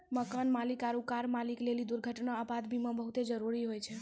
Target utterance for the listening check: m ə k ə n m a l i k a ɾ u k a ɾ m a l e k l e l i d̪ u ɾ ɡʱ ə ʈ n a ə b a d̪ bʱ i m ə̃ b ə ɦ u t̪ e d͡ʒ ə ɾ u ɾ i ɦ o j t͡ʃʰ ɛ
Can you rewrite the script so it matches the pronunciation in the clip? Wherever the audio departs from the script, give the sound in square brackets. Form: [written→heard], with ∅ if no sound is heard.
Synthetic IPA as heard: m ə k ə n m a l i k a ɾ u k a ɾ m a l [e→i] k l e l i d̪ u ɾ ɡʱ ə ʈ n a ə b a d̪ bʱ i m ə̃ b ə ɦ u t̪ e d͡ʒ ə ɾ u ɾ i ɦ o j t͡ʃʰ ɛ